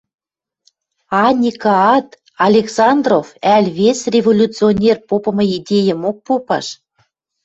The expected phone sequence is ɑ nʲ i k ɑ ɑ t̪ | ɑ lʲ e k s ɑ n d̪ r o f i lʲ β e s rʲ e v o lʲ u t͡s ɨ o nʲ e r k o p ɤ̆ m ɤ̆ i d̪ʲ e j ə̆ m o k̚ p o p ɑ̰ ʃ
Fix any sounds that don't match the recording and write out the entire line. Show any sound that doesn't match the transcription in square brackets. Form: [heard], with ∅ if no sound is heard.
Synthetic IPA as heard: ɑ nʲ i k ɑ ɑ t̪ | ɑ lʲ e k s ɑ n d̪ r o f [æ] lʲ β e s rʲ e v o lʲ u t͡s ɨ o nʲ e r [p] o p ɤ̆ m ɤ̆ i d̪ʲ e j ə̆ m o k̚ p o p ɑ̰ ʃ

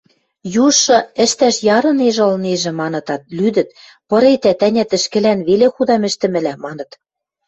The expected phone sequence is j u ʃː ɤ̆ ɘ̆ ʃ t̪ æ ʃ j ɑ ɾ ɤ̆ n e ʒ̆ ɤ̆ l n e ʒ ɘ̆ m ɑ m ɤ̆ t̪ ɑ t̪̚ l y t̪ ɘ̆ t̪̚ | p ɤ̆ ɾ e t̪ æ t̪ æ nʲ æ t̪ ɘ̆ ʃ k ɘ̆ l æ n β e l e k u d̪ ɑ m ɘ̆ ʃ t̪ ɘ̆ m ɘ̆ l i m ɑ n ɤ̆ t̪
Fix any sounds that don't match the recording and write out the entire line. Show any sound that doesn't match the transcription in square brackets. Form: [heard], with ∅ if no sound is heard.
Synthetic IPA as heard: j u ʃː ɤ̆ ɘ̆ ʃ t̪ æ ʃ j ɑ ɾ ɤ̆ n e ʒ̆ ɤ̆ l n e ʒ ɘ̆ m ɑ [n] ɤ̆ t̪ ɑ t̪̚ l y [d̪] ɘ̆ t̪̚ | p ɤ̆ ɾ e t̪ æ t̪ æ nʲ æ t̪ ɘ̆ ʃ k ɘ̆ l æ n β e l e [x] u d̪ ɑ m ɘ̆ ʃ t̪ ɘ̆ m ɘ̆ l [æ] m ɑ n ɤ̆ t̪

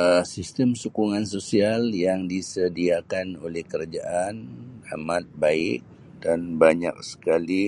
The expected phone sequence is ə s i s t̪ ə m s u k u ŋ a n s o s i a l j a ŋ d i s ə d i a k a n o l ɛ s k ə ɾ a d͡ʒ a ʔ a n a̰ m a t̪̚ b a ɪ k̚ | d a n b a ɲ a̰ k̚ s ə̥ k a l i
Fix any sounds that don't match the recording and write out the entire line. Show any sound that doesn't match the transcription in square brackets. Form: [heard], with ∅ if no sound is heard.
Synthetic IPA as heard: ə s i s t̪ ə m s u k u ŋ a n s o s i a l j a ŋ d i s ə d i a k a n o l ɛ [h] k ə ɾ a d͡ʒ a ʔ a n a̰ m a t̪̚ b a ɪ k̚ | d a n b a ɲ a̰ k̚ s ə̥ k a l i

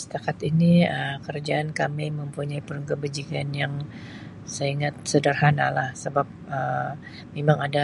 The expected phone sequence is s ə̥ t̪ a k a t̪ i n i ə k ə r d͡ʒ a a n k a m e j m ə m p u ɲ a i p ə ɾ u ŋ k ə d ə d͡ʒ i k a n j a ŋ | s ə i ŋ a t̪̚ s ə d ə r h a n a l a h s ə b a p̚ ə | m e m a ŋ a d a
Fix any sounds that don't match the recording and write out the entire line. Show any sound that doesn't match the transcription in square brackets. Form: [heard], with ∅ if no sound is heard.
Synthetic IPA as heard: s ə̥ t̪ a k a t̪ i n i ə k ə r d͡ʒ a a n k a m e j m ə m p u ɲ a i p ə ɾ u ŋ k ə [b] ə d͡ʒ i k a n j a ŋ | s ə i ŋ a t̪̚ s ə d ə r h a n a l a h s ə b a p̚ ə | m e m a ŋ a d a

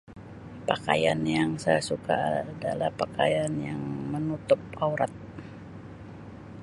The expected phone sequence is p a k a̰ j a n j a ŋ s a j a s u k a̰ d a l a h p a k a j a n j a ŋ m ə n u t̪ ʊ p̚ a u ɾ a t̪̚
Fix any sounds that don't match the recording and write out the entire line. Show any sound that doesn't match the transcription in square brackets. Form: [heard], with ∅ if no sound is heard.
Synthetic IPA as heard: p a k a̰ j a n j a ŋ s a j a s u k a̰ d a l a h p a k a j a n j a ŋ m ə n u t̪ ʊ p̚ a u ɾ a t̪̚

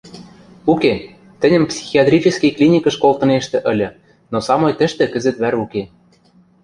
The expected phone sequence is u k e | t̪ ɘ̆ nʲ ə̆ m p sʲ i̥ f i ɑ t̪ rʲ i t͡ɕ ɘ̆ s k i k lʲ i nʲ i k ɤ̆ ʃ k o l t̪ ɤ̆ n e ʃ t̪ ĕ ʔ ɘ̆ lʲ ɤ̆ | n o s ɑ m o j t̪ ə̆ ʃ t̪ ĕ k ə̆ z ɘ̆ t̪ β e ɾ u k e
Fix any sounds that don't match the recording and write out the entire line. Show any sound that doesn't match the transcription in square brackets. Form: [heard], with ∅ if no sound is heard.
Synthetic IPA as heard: u k e | t̪ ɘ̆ nʲ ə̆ m p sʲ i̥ [x] i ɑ t̪ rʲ i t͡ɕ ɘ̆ s k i k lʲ i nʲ i k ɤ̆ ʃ k o l t̪ ɤ̆ n e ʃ t̪ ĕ ʔ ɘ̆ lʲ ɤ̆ | n o s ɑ m o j t̪ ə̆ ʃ t̪ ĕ k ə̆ z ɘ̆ t̪ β [æ] ɾ u k e

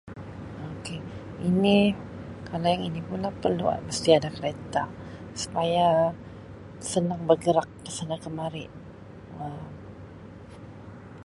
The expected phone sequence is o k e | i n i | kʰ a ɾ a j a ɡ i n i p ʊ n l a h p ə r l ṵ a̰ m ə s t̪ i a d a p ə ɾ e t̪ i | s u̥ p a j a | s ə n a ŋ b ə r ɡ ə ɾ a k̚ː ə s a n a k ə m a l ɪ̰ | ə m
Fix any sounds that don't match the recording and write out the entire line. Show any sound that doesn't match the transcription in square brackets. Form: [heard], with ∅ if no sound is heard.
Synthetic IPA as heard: o k e | i n i | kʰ a [l] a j a [ŋ] i n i p [u] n l a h p ə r l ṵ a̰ m ə s t̪ i a d a [k] ə ɾ e t̪ [a] | s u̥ p a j a | s ə n a ŋ b ə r ɡ ə ɾ a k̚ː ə s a n a k ə m a [ɾ] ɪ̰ | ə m

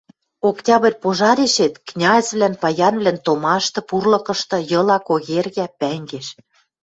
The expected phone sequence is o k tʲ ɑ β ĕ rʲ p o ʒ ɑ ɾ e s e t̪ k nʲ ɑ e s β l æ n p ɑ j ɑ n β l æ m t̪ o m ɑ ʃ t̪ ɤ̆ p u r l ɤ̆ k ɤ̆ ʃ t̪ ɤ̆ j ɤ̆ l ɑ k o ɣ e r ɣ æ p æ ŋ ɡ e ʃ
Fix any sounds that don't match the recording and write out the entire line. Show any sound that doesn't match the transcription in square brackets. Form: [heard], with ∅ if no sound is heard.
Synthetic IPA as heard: o k tʲ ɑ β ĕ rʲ p o ʒ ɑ ɾ e [ʃ] e t̪ k nʲ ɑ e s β l æ n p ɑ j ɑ n β l æ [n] t̪ o m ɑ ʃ t̪ ɤ̆ p u r l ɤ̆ k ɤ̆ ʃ t̪ ɤ̆ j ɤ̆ l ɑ k o ɣ e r ɣ æ p æ ŋ ɡ e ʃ

